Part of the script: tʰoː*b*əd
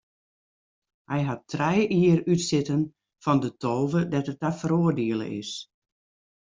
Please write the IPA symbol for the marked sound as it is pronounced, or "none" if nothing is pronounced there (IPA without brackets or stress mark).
v